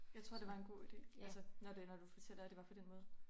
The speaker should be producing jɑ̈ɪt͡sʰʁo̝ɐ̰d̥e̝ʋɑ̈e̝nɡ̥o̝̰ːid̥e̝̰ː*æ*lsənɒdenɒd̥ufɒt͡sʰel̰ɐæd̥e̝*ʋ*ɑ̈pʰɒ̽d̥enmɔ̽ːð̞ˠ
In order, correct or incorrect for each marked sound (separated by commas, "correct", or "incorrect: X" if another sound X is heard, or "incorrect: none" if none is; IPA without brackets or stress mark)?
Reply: correct, correct